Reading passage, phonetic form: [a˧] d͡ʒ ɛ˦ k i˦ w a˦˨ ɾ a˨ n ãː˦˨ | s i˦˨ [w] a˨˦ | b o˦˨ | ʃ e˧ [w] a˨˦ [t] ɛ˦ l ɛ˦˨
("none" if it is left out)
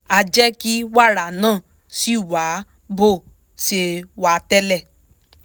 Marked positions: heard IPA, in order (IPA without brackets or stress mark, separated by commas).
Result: a˧, w, w, t